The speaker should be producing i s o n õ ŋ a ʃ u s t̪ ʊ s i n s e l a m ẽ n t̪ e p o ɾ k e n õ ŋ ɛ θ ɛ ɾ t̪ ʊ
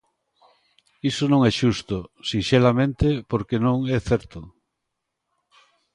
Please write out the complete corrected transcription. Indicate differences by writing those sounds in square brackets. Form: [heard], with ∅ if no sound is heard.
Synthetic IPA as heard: i s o n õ ŋ [ɛ] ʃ u s t̪ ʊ s i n [ʃ] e l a m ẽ n t̪ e p o ɾ k e n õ ŋ ɛ θ ɛ ɾ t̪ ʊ